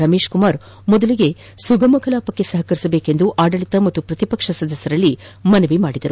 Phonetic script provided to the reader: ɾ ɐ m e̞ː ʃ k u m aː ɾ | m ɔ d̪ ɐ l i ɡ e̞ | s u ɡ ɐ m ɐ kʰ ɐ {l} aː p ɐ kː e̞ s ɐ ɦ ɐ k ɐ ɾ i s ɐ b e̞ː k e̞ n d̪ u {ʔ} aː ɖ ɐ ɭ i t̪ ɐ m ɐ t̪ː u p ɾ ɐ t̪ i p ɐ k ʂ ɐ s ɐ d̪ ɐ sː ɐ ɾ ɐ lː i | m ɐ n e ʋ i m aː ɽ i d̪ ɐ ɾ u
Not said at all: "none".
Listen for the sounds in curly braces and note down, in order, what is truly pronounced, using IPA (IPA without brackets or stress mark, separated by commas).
l, ʔ